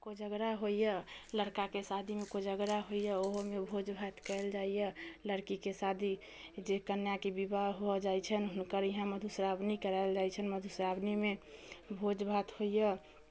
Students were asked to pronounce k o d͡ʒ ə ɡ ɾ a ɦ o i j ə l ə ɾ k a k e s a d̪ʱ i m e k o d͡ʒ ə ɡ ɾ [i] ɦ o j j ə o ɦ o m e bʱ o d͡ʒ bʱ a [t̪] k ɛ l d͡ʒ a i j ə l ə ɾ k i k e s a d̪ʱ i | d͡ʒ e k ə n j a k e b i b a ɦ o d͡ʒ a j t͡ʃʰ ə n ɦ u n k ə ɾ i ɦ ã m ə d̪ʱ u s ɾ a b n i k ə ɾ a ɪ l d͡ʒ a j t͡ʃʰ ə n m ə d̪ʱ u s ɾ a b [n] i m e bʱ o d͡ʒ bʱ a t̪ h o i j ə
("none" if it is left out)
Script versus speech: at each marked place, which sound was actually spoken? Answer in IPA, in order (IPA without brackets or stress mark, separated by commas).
a, t̪, n